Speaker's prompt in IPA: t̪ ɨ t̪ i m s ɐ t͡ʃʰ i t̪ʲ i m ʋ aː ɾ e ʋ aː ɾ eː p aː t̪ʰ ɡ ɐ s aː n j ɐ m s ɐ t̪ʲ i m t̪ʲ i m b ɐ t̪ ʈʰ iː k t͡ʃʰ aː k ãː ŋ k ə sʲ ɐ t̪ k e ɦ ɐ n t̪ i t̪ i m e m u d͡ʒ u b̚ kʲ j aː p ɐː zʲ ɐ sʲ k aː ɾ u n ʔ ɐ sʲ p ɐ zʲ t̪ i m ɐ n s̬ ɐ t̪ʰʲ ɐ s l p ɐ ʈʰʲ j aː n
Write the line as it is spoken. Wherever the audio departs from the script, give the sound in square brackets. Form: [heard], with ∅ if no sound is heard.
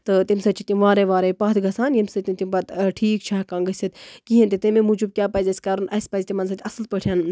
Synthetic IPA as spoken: t̪ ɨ t̪ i m s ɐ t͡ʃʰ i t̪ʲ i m ʋ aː ɾ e ʋ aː ɾ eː p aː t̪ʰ ɡ ɐ s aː n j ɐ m s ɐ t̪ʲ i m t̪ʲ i m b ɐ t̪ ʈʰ iː k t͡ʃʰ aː k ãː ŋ [ɡ] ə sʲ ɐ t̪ k [i] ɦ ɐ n t̪ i t̪ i m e m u d͡ʒ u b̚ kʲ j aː p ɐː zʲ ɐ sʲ k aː ɾ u n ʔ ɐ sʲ p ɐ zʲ t̪ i m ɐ n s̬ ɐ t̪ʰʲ ɐ s l p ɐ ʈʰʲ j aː n